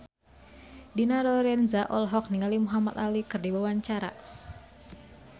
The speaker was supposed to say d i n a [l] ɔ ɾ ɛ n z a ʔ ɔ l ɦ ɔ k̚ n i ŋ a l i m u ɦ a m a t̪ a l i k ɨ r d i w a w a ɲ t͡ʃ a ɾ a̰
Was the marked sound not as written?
yes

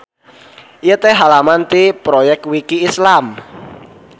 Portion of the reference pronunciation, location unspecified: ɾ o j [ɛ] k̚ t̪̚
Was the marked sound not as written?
no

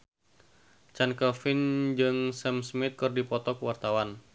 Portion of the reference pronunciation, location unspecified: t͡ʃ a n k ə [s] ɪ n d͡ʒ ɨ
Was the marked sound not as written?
yes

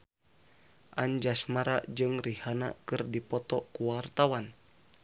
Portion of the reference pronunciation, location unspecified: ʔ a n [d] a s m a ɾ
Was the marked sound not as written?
yes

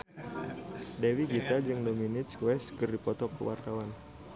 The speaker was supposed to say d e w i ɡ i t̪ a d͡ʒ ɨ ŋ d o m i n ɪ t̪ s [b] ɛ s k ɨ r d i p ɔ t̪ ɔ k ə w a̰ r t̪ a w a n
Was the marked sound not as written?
yes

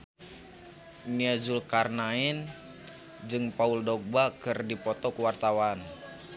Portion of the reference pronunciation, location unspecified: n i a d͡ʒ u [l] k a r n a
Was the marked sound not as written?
no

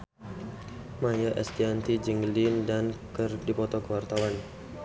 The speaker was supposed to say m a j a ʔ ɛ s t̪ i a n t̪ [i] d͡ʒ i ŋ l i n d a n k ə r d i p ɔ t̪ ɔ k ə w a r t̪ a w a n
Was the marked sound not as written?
no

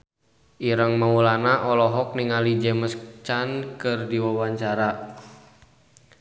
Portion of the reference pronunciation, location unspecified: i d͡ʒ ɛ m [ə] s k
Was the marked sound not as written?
no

